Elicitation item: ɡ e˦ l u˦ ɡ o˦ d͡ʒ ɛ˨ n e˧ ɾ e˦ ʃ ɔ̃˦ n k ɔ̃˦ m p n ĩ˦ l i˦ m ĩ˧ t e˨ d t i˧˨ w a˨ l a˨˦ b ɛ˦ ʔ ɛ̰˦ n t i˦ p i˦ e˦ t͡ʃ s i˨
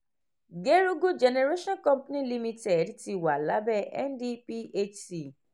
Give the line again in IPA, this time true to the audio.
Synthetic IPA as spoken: ɡ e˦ ɾ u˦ ɡ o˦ d͡ʒ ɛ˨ n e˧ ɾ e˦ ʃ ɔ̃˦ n k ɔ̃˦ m p n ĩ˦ l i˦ m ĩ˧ t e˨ d t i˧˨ w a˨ l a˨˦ b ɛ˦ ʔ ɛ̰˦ n d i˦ p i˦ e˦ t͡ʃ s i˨